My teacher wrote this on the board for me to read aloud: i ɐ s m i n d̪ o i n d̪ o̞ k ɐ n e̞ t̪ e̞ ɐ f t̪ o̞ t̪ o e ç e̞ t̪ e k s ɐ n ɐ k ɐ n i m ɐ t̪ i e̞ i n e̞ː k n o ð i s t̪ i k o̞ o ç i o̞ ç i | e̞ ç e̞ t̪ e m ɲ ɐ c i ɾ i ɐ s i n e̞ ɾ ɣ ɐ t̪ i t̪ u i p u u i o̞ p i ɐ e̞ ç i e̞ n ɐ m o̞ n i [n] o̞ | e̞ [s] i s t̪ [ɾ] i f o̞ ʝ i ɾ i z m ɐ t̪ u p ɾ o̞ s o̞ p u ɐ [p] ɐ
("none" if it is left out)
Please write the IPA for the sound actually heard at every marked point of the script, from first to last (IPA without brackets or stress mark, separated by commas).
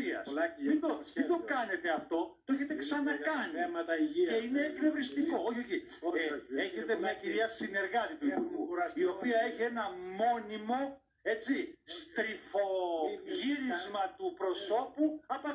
m, t͡s, ɾ, p